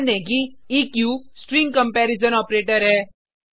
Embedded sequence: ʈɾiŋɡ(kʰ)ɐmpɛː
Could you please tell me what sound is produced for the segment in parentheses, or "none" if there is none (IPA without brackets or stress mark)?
k